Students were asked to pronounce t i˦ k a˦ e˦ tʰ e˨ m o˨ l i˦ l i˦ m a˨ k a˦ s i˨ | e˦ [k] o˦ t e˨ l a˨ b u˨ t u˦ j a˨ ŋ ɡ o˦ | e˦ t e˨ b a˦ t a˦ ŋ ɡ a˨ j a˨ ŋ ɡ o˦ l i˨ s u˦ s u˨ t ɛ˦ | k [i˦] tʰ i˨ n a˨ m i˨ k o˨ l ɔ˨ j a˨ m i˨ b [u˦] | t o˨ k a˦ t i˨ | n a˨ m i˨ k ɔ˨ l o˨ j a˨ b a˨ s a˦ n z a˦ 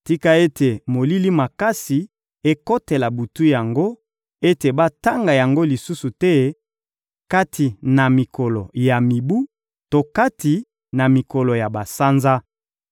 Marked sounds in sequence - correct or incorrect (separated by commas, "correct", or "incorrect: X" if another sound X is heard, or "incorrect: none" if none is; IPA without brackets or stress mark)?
correct, incorrect: a˦, correct